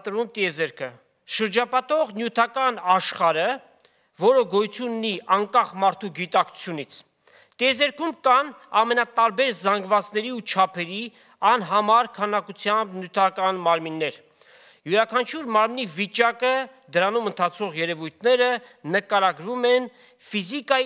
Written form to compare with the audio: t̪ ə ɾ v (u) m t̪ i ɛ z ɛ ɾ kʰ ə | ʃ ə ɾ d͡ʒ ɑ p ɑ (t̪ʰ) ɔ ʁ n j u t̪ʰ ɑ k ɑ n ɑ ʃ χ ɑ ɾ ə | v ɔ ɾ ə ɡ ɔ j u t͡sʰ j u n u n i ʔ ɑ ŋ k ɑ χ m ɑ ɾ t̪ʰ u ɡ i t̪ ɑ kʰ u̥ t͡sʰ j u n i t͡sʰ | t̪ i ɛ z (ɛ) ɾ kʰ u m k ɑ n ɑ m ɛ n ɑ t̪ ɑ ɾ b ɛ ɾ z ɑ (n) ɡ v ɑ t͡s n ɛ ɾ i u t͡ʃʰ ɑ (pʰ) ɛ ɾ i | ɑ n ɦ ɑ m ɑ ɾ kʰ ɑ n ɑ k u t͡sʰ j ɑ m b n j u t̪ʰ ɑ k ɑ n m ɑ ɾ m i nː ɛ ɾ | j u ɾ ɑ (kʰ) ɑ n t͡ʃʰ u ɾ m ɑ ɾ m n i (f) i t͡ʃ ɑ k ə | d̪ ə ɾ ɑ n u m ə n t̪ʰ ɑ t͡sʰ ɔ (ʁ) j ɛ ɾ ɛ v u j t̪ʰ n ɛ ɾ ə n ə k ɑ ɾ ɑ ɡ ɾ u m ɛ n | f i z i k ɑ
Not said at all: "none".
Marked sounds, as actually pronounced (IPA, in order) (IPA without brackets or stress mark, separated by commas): u, t̪, ɛ, ŋ, pʰ, kʰ, v, ʁ